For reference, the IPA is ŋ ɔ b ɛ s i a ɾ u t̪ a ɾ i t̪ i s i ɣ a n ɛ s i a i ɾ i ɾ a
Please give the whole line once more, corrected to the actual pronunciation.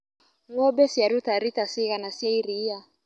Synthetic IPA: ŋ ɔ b ɛ s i a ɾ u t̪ a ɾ i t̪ a s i ɣ a n a s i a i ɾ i a